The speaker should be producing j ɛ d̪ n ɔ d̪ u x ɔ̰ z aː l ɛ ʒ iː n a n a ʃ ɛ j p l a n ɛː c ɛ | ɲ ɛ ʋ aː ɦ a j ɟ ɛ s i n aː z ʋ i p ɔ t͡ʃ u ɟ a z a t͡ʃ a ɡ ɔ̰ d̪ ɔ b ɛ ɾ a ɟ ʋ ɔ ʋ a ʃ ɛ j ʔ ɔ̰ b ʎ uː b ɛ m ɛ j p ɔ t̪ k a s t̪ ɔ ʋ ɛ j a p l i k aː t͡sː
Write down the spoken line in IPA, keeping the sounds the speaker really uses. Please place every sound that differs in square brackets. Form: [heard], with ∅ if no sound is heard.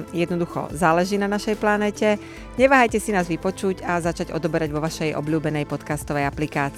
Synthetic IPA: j ɛ d̪ n ɔ d̪ u x ɔ̰ z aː l ɛ ʒ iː n a n a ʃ ɛ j p l a n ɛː c ɛ | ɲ ɛ ʋ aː ɦ a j [c] ɛ s i n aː z ʋ i p ɔ t͡ʃ u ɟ a z a t͡ʃ a [ɟ] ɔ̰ d̪ ɔ b ɛ ɾ a ɟ ʋ ɔ ʋ a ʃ ɛ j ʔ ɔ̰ b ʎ uː b ɛ [n] ɛ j p ɔ t̪ k a s t̪ ɔ ʋ ɛ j a p l i k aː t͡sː